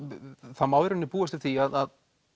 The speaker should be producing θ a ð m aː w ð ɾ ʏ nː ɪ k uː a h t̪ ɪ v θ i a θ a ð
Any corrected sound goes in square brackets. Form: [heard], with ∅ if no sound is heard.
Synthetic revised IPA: θ a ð m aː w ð ɾ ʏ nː ɪ [p] uː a [s] t̪ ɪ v θ i a [ð] a ð